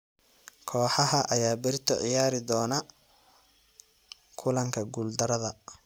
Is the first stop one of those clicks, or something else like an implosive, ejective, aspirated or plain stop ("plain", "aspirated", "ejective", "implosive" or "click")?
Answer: aspirated